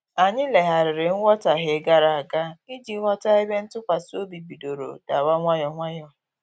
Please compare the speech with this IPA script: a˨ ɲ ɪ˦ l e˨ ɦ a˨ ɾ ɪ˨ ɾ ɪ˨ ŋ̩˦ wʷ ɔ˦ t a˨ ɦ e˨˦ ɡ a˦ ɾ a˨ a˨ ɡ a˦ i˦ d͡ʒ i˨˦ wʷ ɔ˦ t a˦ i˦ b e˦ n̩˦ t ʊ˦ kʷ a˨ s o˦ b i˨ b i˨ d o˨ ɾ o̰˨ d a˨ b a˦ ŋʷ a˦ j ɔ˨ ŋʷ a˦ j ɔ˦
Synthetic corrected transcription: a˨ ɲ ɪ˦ l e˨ ɦ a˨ ɾ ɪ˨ ɾ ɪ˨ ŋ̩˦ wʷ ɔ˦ t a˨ ɦ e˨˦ ɡ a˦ ɾ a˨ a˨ ɡ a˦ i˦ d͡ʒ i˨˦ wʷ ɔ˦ t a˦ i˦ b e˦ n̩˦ t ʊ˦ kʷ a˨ s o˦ b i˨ b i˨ d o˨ ɾ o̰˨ d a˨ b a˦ ŋʷ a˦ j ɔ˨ ŋʷ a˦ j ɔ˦